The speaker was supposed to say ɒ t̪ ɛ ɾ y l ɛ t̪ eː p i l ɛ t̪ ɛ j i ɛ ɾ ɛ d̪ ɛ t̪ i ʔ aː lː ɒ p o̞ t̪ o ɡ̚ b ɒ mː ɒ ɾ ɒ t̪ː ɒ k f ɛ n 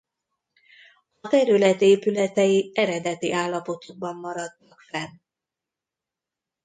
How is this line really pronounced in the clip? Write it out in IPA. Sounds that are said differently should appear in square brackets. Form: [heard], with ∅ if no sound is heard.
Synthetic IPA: ɒ t̪ ɛ ɾ y l ɛ t̪ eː p [y] l ɛ t̪ ɛ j i ɛ ɾ ɛ d̪ ɛ t̪ i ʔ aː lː ɒ p o̞ t̪ o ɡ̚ b ɒ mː ɒ ɾ ɒ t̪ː ɒ k f ɛ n